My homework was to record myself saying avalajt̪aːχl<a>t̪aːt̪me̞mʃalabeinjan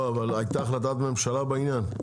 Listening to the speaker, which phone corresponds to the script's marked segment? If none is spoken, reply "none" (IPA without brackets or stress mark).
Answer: a